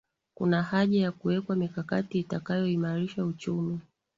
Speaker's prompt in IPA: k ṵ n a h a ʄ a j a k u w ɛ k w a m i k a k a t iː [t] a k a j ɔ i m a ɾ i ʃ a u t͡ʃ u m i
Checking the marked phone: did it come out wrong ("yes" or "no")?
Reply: no